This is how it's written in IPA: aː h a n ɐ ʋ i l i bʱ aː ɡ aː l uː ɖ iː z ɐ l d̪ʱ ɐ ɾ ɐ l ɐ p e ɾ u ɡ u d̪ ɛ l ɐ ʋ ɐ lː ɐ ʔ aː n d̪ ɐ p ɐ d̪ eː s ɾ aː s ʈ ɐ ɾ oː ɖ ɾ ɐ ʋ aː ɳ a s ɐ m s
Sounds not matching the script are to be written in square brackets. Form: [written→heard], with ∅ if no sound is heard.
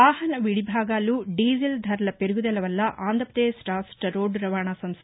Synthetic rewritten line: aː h [a→ɐ] n ɐ ʋ i [l→ɽ] i bʱ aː ɡ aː l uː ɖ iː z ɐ l d̪ʱ ɐ ɾ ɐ l ɐ p e ɾ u ɡ u d̪ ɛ l ɐ ʋ ɐ lː ɐ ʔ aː n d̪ ɐ p ɐ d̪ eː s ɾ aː s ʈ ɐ ɾ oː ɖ ɾ ɐ ʋ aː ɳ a s ɐ m s